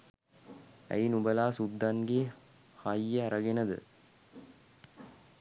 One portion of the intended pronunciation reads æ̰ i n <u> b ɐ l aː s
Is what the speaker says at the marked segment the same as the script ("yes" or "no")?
yes